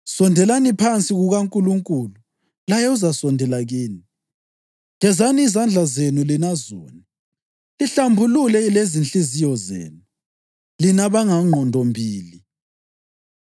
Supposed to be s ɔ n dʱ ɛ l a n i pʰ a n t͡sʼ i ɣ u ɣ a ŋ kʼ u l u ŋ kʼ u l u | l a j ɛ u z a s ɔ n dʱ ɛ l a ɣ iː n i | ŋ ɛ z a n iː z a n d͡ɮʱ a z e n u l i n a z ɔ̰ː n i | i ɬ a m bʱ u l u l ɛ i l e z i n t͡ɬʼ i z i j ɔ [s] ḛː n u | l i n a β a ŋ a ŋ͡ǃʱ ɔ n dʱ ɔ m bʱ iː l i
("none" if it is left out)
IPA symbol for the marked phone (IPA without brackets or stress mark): z